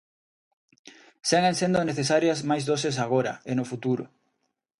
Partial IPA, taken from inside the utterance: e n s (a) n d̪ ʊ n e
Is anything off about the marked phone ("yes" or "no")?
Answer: yes